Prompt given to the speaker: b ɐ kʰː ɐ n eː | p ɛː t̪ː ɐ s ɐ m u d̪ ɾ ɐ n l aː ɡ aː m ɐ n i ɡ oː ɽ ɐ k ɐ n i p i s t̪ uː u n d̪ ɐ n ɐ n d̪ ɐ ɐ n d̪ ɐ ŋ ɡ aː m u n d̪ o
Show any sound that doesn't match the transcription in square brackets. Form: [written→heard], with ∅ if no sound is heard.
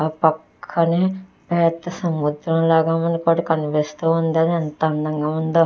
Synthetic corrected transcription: [b→p] ɐ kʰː ɐ n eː | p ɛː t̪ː ɐ s ɐ m u d̪ ɾ ɐ [n→m] l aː ɡ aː m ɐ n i [ɡ→k] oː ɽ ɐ k ɐ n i p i s t̪ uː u n d̪ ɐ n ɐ n [d̪→t̪] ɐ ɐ n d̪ ɐ ŋ ɡ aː m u n d̪ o